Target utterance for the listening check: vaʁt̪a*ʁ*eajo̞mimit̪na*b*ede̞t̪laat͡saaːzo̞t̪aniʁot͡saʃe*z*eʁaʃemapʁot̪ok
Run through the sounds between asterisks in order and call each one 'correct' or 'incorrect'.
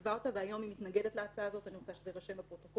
incorrect, incorrect, correct

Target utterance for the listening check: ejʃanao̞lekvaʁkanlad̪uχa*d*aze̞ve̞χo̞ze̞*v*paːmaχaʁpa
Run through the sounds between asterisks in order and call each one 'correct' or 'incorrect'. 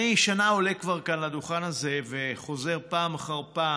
incorrect, incorrect

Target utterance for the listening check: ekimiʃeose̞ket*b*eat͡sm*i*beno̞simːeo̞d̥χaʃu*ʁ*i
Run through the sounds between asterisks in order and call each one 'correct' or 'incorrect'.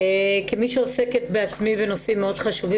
correct, correct, incorrect

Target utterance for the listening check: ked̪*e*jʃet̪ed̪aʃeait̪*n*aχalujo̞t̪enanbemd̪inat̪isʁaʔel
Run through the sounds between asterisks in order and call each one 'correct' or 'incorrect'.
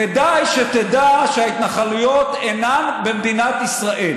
incorrect, correct

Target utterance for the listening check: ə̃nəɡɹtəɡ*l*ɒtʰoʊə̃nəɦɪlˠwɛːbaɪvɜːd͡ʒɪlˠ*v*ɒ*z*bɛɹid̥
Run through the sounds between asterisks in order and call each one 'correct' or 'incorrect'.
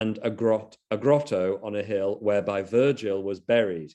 incorrect, incorrect, correct

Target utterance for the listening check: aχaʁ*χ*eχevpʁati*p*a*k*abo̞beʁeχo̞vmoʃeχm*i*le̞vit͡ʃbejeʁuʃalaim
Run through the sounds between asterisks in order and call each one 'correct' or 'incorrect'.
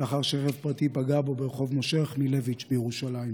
incorrect, correct, incorrect, correct

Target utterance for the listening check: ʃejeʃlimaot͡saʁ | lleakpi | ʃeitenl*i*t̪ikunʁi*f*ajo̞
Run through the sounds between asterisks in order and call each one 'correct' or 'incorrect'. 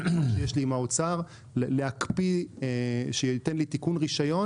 correct, incorrect

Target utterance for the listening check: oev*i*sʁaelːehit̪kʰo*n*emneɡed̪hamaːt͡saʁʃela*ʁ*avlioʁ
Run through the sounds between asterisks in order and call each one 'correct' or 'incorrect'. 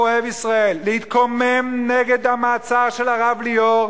correct, incorrect, correct

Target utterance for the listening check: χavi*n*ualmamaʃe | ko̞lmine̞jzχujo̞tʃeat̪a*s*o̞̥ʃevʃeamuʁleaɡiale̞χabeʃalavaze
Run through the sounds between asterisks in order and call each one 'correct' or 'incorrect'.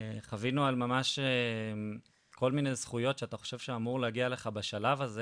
correct, incorrect

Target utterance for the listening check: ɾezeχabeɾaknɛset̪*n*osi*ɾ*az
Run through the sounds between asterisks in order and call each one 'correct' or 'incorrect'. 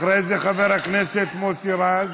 incorrect, correct

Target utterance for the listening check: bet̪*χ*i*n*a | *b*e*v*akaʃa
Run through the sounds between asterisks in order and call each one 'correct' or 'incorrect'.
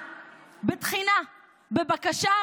correct, correct, correct, incorrect

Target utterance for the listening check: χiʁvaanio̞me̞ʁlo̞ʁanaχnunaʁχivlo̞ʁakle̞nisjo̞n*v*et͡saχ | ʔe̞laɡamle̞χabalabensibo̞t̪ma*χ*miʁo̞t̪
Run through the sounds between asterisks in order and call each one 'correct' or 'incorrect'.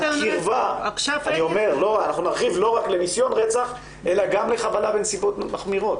incorrect, correct

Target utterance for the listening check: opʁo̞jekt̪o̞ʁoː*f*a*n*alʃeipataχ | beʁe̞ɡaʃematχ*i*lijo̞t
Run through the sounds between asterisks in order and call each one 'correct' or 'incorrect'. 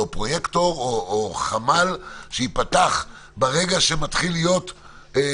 incorrect, incorrect, correct

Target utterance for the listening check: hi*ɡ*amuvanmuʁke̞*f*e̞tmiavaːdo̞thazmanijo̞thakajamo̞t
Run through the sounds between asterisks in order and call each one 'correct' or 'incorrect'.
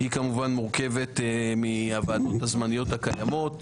incorrect, incorrect

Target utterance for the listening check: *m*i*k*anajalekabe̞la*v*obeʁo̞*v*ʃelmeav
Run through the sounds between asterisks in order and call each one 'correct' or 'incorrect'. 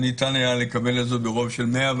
incorrect, incorrect, incorrect, correct

